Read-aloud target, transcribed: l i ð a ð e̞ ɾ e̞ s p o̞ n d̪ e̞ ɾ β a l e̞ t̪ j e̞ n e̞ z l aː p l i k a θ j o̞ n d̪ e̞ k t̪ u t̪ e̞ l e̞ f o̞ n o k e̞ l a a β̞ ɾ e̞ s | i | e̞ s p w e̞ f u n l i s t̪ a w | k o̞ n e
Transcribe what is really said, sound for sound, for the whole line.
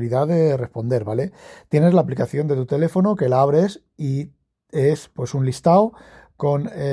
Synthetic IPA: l i ð a ð e̞ r e̞ s p o̞ n d̪ e̞ ɾ β a l e̞ t̪ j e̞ n e̞ z l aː p l i k a θ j o̞ n d̪ e̞ t̪ u t̪ e̞ l e̞ f o̞ n o k e̞ l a a β̞ ɾ e̞ s | i | e̞ s p w e̞ s u n l i s t̪ a w | k o̞ n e